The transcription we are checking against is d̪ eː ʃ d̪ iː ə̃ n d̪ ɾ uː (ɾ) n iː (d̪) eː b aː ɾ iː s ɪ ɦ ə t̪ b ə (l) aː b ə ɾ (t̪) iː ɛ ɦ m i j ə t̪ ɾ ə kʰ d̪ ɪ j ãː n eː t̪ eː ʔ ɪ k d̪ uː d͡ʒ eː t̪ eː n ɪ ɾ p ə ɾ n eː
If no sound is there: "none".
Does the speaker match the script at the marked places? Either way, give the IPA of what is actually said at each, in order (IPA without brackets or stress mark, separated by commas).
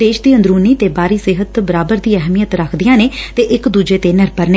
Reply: none, t̪, ɾ, d̪